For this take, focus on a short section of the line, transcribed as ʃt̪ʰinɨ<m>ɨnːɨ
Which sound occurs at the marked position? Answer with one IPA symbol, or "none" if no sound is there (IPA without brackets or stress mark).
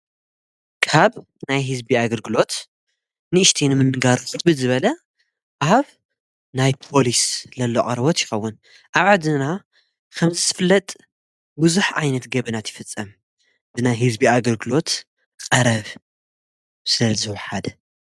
m